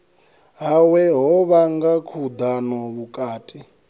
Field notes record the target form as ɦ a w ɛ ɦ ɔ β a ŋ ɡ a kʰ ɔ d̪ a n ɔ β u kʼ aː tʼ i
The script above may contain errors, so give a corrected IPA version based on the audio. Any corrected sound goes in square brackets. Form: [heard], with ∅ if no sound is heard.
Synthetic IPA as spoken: ɦ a w ɛ ɦ ɔ β a ŋ ɡ a kʰ [u] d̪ a n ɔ β u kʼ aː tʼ i